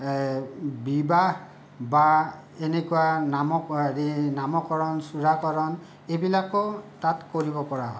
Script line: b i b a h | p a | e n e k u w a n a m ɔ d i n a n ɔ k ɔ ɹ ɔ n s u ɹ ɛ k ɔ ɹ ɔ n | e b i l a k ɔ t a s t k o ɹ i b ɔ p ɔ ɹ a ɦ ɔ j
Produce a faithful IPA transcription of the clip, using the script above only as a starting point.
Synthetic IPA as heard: b i b a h | b a | e n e k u w a n a m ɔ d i n a m ɔ k ɔ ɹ ɔ n s u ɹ a k ɔ ɹ ɔ n | e b i l a k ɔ t a t k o ɹ i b ɔ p ɔ ɹ a ɦ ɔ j